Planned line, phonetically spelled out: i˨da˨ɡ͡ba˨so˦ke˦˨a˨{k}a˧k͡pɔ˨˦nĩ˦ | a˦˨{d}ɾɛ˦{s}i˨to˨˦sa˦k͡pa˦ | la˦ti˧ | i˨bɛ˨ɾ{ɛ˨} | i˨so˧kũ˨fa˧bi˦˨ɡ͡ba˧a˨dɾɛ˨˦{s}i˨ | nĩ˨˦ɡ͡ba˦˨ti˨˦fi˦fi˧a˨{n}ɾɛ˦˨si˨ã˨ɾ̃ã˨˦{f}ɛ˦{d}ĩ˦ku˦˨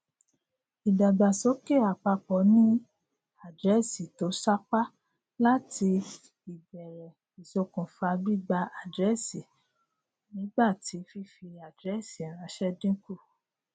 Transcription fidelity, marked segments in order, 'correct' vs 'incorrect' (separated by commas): incorrect, correct, correct, correct, correct, incorrect, incorrect, correct